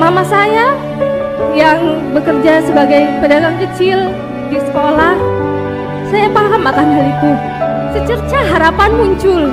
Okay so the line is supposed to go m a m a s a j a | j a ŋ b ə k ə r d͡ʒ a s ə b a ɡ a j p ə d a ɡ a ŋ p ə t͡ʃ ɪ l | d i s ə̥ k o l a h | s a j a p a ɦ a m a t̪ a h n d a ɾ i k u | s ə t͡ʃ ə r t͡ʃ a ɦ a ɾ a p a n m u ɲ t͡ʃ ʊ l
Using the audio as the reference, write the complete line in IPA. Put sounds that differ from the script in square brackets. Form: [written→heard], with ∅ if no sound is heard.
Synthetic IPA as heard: m a m a s a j a | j a ŋ b ə k ə r d͡ʒ a s ə b a ɡ a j p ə d a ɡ a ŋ [p→k] ə t͡ʃ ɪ l | d i s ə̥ k o l a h | s a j a p a ɦ a m a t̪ a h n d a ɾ i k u | s ə t͡ʃ ə r t͡ʃ a ɦ a ɾ a p a n m u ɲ t͡ʃ ʊ l